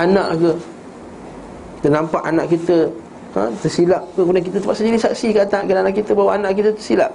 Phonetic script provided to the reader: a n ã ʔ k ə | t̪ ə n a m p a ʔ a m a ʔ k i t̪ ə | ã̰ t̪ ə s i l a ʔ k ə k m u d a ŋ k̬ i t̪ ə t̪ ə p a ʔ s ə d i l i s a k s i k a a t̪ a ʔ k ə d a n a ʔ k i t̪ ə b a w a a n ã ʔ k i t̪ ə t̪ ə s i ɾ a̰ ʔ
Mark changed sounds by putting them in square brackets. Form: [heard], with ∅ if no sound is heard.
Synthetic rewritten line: a n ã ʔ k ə | t̪ ə n a m p a ʔ a [n] a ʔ k i t̪ ə | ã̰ t̪ ə s i l a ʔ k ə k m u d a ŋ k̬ i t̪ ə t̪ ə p a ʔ s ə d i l i s a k s i k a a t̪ a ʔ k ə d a n a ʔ k i t̪ ə b a w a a n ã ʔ k i t̪ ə t̪ ə s i [l] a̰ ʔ